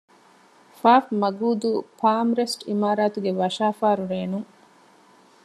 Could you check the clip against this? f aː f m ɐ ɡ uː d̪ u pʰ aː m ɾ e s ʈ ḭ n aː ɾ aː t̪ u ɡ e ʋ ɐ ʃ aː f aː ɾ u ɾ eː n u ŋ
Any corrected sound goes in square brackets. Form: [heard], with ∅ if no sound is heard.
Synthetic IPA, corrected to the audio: f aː f m ɐ ɡ uː d̪ u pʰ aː m ɾ e s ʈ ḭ [m] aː ɾ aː t̪ u ɡ e ʋ ɐ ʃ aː f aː ɾ u ɾ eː n u ŋ